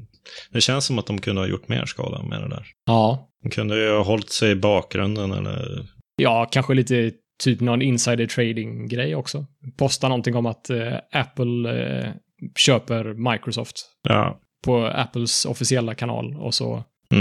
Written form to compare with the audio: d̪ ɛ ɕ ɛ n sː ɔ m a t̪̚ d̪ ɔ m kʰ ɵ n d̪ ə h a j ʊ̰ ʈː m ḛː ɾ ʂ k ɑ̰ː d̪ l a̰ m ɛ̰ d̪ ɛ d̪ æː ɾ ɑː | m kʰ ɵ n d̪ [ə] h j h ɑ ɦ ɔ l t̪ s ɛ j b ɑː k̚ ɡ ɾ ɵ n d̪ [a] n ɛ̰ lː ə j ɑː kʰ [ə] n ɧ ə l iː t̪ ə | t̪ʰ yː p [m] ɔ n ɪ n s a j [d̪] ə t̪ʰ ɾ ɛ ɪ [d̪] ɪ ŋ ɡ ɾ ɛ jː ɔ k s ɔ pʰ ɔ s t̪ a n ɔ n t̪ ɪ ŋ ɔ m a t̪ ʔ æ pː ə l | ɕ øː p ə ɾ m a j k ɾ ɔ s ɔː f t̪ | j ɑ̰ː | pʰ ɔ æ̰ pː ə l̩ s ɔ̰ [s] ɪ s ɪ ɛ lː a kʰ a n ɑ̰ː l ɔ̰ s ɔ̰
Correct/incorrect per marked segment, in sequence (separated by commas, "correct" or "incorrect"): correct, incorrect, incorrect, incorrect, correct, correct, incorrect